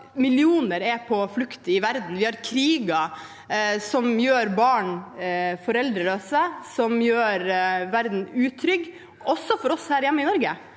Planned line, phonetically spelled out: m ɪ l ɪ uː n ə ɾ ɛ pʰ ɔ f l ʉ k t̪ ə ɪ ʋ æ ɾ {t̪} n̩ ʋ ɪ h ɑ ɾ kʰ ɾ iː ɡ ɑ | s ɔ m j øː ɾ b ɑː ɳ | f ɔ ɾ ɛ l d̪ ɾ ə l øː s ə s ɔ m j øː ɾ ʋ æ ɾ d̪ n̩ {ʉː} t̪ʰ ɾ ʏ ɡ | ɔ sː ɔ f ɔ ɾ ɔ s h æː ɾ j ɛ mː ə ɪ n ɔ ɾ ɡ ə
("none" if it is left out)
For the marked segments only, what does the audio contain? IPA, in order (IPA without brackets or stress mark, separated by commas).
d̪, ʉː